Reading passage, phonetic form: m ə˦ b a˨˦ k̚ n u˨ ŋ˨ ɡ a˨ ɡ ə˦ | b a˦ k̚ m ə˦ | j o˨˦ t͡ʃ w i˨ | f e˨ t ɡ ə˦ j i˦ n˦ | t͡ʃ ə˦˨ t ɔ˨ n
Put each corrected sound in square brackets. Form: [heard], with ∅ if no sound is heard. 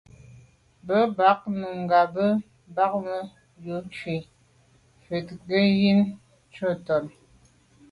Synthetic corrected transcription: [b] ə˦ b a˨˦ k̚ n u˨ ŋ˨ ɡ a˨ [b] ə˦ | b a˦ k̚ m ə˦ | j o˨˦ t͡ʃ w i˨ | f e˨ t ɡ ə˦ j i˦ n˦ | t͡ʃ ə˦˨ t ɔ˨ n